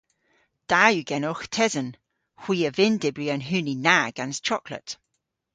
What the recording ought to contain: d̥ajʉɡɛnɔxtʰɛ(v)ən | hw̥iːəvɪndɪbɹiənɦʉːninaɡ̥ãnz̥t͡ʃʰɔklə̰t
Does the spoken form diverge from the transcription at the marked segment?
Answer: yes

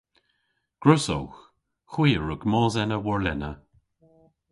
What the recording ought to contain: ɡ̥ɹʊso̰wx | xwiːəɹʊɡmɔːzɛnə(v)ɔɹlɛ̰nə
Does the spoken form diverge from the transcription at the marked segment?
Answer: yes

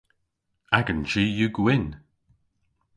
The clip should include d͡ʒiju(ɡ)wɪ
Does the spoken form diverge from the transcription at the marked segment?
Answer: no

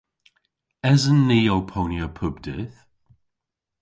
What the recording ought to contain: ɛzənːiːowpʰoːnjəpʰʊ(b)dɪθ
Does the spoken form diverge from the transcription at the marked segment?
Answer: no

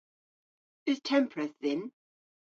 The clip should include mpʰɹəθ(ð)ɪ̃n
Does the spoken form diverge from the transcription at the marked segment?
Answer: no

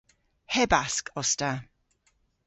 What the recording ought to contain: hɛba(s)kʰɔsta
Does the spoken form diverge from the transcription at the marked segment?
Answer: no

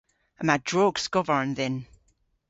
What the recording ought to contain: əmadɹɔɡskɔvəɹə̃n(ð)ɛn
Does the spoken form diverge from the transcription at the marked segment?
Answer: no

